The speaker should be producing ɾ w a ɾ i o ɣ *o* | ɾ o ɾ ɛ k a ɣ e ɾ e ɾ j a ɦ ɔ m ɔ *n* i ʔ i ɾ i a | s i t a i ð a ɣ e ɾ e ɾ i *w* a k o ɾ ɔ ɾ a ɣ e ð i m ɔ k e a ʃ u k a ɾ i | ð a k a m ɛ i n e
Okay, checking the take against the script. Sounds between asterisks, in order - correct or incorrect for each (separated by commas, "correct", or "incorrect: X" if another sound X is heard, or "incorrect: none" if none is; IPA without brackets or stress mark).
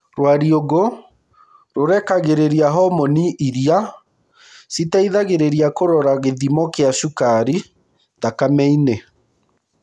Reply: correct, correct, incorrect: none